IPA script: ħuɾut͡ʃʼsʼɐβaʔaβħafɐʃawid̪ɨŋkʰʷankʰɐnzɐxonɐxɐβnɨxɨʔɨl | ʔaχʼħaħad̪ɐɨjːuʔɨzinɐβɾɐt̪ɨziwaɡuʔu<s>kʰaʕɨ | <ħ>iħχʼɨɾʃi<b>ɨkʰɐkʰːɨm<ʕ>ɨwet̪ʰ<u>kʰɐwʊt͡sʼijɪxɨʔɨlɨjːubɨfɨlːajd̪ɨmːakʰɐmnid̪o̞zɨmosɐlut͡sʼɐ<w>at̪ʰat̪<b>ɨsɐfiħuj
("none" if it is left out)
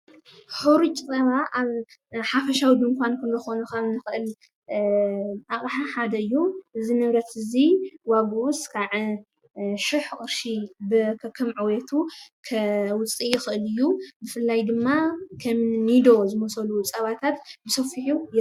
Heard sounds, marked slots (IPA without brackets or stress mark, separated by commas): s, ʃ, b, ʕ, u, β, b